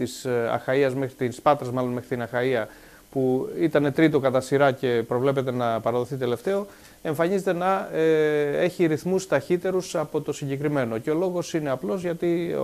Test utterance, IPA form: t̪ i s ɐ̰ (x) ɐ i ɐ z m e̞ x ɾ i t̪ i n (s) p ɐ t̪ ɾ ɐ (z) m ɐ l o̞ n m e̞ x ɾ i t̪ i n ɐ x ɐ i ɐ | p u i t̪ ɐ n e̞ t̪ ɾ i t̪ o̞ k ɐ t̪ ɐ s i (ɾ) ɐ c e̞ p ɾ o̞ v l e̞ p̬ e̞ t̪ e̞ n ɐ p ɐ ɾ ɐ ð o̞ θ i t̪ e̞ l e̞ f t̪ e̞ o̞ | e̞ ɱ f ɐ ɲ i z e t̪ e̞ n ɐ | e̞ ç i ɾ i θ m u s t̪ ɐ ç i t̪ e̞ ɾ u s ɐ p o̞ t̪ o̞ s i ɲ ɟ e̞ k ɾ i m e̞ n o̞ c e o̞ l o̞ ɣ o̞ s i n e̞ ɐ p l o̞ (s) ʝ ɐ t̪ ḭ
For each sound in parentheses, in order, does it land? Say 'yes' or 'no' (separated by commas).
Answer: yes, yes, yes, yes, no